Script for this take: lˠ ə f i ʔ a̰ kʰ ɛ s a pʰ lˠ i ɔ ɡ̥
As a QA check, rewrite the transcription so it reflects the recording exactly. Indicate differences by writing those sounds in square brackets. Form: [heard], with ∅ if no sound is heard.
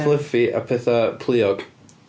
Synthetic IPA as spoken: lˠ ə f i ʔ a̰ [pʰ] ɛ [θ] a pʰ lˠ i ɔ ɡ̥